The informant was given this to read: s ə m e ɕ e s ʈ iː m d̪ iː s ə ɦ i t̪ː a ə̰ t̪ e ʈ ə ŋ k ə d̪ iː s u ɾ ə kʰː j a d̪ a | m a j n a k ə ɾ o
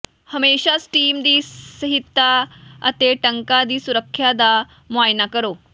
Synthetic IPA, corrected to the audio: h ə m e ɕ a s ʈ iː m d̪ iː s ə ɦ i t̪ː a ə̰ t̪ e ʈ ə ŋ k a d̪ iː s u ɾ ə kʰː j a d̪ a | m a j n a k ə ɾ o